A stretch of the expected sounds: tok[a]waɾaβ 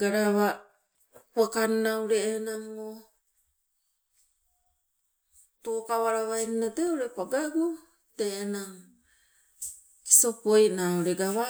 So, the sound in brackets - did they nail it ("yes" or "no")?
yes